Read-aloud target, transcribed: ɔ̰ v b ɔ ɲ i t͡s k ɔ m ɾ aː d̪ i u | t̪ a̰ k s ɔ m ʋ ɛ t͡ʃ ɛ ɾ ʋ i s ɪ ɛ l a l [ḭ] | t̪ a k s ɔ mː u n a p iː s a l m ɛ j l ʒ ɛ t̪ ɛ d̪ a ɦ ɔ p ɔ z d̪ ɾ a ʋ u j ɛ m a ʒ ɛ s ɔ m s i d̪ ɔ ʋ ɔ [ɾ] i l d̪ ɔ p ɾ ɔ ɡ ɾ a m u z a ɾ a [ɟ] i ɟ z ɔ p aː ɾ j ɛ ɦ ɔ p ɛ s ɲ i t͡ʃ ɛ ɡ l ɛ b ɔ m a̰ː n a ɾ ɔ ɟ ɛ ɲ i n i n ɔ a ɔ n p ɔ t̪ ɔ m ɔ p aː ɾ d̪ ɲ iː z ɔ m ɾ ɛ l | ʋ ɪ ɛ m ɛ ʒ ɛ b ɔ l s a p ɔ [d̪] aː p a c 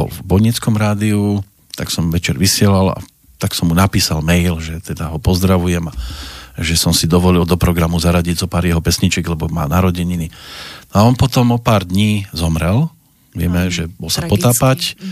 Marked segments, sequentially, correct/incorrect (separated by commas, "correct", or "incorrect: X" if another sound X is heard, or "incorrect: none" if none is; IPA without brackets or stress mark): incorrect: a̰, incorrect: l, correct, incorrect: t̪